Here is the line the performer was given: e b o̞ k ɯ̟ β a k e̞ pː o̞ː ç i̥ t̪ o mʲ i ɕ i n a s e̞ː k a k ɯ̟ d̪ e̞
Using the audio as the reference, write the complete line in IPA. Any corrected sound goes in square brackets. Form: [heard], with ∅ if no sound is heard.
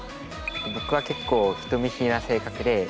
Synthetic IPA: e b o̞ k ɯ̟ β a k e̞ [kː] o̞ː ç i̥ t̪ o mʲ i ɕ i n a s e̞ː k a k ɯ̟ d̪ e̞